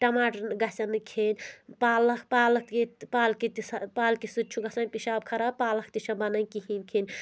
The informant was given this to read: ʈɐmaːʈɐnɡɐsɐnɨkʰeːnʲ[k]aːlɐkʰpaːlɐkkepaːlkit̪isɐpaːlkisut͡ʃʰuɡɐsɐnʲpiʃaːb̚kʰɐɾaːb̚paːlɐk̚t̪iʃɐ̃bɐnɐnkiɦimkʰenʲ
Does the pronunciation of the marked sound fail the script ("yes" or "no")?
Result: yes